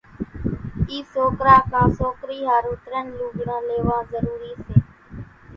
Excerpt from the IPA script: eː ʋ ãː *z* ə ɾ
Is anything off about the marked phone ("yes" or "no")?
no